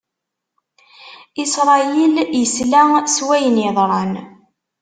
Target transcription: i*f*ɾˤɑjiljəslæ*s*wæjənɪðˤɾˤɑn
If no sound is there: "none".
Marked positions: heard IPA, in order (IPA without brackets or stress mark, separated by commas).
s, s